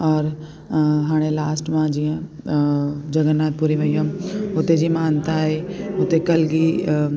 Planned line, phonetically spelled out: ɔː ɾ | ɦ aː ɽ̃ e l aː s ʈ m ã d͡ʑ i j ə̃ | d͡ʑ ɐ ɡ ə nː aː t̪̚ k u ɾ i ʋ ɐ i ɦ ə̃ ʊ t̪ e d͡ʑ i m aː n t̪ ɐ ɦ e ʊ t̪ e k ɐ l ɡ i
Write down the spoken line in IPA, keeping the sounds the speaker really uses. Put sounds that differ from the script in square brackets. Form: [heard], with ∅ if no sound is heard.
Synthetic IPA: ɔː ɾ | ɦ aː ɽ̃ e l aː s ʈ m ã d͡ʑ i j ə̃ | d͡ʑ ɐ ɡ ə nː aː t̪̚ [p] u ɾ i ʋ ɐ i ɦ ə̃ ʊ t̪ e d͡ʑ i m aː n t̪ [a] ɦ e ʊ t̪ e k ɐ l ɡ i